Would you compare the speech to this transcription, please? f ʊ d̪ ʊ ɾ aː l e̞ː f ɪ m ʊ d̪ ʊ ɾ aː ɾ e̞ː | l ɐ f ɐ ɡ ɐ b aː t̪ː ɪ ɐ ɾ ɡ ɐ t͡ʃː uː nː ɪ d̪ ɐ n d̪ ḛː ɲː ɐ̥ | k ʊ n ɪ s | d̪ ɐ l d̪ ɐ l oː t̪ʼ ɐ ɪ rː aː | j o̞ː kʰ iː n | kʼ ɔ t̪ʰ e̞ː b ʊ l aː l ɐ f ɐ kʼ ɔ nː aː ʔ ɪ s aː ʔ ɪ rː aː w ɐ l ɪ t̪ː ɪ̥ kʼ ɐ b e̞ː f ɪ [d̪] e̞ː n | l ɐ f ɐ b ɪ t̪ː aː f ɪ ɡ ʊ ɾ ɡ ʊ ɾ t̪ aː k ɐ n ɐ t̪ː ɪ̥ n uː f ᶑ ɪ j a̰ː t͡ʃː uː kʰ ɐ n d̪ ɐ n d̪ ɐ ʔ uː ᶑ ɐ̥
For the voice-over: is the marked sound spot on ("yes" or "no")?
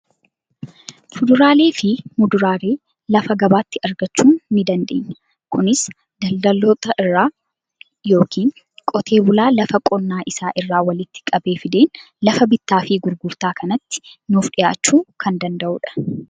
yes